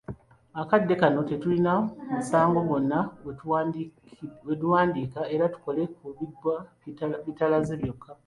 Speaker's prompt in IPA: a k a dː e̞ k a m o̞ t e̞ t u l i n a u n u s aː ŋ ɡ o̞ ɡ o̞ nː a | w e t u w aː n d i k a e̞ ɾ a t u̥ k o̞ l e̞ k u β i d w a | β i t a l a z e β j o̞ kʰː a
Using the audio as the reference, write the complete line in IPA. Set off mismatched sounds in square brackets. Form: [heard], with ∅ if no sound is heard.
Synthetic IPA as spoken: a k a dː e̞ k a [n] o̞ t e̞ t u l i n a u [m] u s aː ŋ ɡ o̞ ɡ o̞ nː a | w e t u w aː n d i k a e̞ ɾ a t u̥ k o̞ l e̞ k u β i d w a | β i t a l a z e β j o̞ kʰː a